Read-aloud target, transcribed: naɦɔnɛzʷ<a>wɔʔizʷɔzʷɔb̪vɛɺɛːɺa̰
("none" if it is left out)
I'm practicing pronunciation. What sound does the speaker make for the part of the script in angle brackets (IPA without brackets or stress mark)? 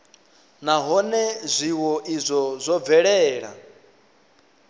i